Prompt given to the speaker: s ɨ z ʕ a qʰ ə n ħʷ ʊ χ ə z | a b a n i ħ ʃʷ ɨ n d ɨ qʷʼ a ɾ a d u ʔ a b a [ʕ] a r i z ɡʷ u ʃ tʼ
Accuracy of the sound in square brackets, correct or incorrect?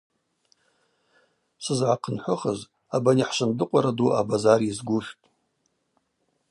incorrect